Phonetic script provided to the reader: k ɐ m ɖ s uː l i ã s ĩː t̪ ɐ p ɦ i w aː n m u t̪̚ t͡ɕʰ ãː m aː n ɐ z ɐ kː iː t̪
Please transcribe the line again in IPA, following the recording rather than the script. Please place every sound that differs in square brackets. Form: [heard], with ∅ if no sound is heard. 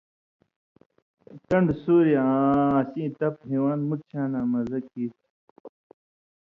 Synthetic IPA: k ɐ [ɳ] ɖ s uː [ɾ] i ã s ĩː t̪ ɐ p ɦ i w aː n m u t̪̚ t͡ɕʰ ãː [n] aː [m] ɐ z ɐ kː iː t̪